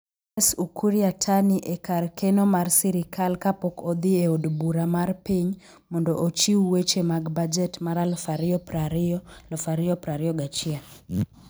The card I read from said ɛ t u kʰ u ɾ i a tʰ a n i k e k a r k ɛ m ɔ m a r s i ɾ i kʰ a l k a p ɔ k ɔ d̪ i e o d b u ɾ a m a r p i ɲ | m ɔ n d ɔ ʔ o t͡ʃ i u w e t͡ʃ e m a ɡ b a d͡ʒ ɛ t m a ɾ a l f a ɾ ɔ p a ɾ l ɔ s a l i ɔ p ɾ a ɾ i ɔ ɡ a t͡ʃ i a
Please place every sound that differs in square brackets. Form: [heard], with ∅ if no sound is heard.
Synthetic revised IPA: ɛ [s] u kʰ u ɾ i a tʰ a n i [ʔ] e k a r k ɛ [n] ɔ m a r s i ɾ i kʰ a l k a p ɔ k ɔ d̪ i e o d b u ɾ a m a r p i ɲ | m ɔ n d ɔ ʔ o t͡ʃ i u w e t͡ʃ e m a ɡ b a d͡ʒ ɛ t m a ɾ a l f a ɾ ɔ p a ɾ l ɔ [f] a [ɾ] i ɔ p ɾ a ɾ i ɔ ɡ a t͡ʃ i a